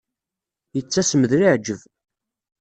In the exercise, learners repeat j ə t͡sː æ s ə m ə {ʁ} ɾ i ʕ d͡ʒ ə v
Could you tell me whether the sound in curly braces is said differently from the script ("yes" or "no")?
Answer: yes